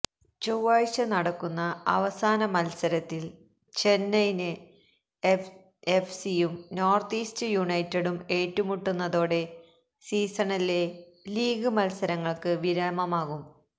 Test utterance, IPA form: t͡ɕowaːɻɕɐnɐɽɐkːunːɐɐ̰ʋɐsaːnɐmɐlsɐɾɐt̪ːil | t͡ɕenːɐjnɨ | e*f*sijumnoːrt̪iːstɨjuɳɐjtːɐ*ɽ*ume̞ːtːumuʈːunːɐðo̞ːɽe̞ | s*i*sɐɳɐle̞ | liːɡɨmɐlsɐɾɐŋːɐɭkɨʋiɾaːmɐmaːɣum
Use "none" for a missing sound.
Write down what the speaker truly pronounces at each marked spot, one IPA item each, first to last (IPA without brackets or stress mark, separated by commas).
f, ɽ, iː